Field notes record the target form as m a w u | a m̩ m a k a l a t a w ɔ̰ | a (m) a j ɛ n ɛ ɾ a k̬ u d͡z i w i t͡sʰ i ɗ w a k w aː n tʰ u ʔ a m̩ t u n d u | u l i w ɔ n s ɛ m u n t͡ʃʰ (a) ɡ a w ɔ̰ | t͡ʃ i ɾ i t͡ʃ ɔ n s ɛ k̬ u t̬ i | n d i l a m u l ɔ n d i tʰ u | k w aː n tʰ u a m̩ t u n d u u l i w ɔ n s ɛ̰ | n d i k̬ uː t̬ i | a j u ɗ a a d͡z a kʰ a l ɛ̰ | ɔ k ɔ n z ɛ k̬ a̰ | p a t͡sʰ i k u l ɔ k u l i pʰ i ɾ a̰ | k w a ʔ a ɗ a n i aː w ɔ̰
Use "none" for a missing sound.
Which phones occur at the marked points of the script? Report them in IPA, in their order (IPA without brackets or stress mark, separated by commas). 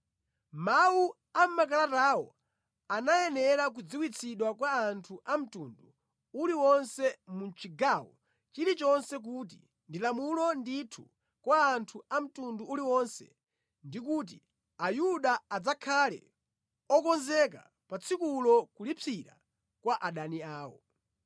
n, i